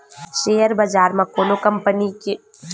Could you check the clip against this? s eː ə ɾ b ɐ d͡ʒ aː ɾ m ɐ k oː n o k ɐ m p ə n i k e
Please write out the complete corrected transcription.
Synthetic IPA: ʃ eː ə ɾ b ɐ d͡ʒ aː ɾ m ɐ k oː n o k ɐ m p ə n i k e